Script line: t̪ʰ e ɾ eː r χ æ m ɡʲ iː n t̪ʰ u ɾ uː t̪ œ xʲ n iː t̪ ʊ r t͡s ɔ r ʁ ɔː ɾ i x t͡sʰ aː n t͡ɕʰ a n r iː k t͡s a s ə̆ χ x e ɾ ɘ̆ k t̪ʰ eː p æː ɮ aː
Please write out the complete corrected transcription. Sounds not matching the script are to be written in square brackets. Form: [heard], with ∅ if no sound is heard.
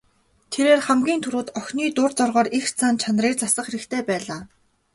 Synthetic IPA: t̪ʰ e ɾ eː r χ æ m ɡʲ iː n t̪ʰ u ɾ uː t̪ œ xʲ n iː t̪ ʊ r t͡s ɔ r ʁ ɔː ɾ i x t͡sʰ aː n t͡ɕʰ a n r iː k t͡s a s ə̆ χ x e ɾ ɘ̆ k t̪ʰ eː p æː ɮ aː